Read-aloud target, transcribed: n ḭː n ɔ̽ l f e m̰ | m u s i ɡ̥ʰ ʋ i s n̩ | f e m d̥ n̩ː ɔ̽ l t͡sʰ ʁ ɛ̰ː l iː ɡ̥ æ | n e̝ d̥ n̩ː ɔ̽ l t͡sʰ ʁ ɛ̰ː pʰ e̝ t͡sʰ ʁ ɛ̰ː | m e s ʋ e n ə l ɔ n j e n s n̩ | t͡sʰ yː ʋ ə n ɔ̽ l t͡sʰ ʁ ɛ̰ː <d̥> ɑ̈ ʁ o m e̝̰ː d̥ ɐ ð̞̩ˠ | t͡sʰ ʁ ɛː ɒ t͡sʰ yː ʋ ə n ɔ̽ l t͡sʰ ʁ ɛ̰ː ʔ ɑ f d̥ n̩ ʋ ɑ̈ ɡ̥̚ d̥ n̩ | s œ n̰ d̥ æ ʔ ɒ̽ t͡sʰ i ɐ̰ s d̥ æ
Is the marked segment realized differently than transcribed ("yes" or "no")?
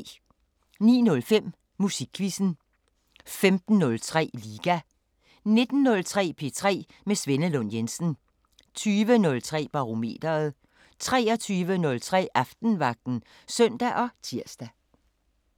yes